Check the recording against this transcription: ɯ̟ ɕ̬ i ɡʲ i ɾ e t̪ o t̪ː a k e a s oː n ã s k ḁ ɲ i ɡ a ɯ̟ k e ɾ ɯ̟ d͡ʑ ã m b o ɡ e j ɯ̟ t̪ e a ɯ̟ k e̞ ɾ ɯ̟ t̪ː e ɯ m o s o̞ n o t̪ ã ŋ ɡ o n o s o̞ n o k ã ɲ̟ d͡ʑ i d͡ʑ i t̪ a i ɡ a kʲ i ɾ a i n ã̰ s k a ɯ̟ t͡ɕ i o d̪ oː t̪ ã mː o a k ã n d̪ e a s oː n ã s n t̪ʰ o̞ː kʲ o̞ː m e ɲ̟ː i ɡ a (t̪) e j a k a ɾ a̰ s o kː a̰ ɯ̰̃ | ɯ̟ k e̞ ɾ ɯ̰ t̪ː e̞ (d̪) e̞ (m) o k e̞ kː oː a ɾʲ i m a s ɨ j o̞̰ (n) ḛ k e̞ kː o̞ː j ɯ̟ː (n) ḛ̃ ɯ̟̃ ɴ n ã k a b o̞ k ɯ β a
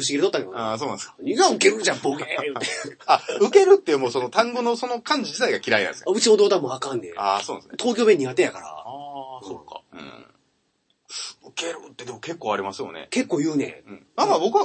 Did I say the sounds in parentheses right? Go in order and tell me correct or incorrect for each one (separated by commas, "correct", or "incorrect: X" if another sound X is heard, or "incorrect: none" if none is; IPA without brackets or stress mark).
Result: correct, correct, correct, correct, correct